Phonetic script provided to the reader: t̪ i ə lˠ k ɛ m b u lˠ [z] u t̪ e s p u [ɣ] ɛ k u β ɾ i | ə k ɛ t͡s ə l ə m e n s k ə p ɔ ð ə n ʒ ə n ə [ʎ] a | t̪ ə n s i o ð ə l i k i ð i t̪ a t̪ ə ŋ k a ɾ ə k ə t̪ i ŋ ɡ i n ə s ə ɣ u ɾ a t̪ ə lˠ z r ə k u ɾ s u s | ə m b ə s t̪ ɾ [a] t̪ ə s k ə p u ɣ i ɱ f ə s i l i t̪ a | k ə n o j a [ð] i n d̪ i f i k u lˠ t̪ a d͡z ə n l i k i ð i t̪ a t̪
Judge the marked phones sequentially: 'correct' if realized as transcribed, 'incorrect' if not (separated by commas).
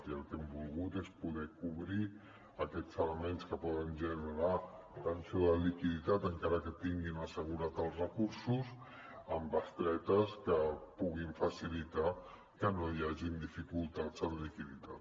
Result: incorrect, incorrect, incorrect, incorrect, incorrect